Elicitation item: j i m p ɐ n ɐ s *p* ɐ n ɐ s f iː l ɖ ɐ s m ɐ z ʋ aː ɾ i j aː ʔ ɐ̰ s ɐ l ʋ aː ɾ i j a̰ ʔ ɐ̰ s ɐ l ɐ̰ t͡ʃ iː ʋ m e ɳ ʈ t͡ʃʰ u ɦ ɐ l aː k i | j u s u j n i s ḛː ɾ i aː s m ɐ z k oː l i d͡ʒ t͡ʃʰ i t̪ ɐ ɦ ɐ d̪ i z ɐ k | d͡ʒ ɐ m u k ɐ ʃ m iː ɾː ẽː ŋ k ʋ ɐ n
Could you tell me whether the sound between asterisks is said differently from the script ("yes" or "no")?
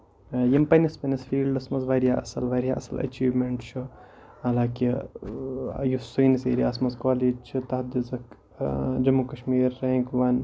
no